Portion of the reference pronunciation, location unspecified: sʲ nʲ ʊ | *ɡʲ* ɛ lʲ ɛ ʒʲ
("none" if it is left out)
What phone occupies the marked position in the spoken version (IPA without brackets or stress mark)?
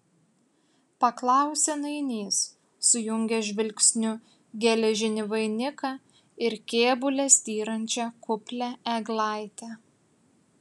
ɡʲ